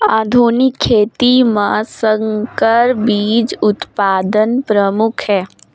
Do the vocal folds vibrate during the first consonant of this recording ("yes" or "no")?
yes